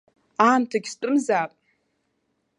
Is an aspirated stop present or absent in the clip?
present